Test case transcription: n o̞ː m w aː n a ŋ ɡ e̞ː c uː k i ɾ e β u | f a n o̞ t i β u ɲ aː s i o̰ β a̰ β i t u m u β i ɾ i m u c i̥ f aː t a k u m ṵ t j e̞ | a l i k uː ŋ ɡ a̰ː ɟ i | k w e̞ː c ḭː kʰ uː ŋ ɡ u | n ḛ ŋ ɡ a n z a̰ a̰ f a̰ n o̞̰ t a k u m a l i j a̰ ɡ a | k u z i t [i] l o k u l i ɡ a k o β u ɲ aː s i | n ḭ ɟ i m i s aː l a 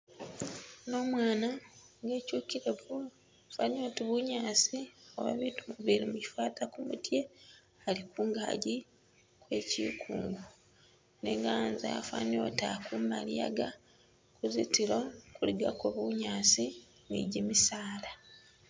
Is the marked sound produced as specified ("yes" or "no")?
yes